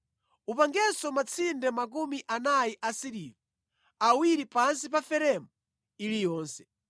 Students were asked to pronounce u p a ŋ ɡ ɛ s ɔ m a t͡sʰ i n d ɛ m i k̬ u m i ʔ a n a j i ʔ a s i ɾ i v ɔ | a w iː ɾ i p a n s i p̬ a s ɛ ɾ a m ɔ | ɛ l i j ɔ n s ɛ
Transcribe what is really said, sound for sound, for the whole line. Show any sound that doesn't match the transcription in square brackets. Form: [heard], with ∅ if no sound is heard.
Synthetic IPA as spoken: u p a ŋ ɡ ɛ s ɔ m a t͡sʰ i n d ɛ m [a] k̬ u m i ʔ a n a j i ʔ a s i ɾ i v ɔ | a w [i] ɾ i p a n s i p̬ a [f] ɛ ɾ [ɛ] m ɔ | [i] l i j [ɔː] n s ɛ